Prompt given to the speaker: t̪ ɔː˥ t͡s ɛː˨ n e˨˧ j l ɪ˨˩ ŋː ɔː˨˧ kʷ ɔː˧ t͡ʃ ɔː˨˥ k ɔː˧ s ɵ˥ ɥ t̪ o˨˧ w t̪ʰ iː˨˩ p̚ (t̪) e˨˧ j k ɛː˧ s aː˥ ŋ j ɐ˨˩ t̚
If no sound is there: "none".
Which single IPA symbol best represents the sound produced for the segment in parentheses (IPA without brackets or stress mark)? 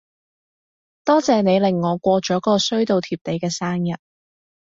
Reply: t̪